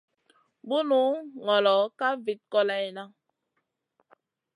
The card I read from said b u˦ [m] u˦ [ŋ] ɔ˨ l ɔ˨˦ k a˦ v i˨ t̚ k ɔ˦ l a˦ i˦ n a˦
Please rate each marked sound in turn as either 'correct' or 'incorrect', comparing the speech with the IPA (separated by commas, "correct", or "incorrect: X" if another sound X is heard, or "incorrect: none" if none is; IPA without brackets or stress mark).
incorrect: n, correct